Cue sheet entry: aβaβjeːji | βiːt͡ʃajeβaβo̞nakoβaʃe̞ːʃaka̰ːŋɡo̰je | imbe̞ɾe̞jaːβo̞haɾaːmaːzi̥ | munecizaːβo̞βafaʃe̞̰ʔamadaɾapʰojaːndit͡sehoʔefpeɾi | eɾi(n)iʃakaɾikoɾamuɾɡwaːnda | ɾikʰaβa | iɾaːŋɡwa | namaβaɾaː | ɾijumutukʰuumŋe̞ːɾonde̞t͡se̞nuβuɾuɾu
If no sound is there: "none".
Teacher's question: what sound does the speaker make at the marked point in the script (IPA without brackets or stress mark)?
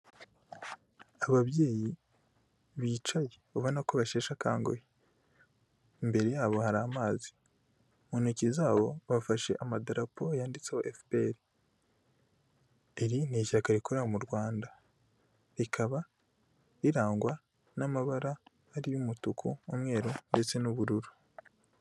n